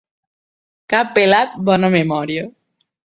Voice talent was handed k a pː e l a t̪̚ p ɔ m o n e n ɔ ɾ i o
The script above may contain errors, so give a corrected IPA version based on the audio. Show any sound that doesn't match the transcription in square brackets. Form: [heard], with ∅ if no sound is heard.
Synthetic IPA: k a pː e l a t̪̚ [b] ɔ [n] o [m] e [m] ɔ ɾ [j] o